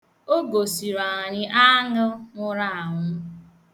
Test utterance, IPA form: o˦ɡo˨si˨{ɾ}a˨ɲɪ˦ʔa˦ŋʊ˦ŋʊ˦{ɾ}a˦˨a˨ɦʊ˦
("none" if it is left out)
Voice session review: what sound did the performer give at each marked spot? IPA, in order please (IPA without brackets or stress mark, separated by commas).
ɾ, ɾ